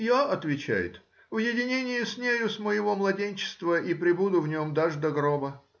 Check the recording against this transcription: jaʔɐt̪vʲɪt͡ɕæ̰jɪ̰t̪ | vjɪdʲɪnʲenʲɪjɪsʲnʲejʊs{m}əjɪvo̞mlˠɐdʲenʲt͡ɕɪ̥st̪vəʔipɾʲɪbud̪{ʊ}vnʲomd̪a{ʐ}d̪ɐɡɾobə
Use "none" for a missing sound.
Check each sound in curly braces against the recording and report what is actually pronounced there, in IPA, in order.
m, ʊ, ʐ

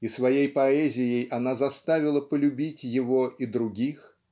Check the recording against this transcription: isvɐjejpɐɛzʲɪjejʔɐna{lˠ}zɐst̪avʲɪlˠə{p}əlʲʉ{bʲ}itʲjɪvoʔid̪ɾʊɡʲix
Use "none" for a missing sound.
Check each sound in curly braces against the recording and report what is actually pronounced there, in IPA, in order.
none, p, bʲ

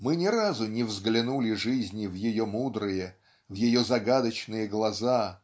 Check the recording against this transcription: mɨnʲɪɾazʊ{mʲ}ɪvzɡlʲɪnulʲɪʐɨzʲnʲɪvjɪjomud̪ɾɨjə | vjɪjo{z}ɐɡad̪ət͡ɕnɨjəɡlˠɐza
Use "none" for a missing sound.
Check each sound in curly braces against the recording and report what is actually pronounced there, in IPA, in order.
nʲ, z

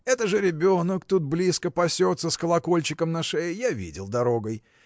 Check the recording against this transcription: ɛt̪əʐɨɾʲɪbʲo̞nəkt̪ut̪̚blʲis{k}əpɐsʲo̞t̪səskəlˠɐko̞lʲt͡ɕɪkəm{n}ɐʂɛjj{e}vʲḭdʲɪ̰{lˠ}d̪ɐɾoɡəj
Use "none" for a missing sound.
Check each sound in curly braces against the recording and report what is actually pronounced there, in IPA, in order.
k, n, a, lˠ

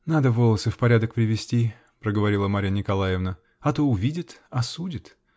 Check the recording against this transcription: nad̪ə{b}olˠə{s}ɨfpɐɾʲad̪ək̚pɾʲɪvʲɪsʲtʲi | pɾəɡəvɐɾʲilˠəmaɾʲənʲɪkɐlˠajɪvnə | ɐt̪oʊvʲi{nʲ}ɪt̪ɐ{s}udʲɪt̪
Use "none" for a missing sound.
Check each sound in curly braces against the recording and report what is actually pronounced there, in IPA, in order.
v, s, dʲ, s

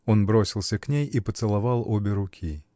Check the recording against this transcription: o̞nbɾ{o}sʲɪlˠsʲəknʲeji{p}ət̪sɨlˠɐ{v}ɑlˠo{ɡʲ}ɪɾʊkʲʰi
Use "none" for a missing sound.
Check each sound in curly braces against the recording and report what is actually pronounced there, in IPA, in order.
o, p, v, bʲ

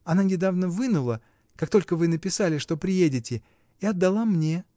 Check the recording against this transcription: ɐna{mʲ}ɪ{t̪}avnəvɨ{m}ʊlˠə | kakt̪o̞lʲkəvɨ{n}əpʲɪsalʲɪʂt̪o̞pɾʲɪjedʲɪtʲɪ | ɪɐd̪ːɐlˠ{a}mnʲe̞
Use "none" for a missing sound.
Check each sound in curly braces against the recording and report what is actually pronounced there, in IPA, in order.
nʲ, d̪, n, n, a

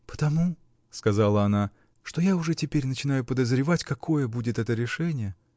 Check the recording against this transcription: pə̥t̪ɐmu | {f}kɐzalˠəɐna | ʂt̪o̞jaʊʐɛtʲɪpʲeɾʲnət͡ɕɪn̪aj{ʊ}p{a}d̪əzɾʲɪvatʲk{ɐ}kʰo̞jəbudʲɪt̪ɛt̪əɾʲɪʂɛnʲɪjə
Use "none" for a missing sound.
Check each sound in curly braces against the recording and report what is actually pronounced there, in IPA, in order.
s, ʊ, ə, ɐ

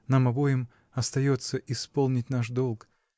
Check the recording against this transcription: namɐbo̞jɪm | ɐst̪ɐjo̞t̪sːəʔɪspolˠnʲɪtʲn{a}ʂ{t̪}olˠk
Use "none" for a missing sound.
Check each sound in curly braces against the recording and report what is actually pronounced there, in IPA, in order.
a, d̪

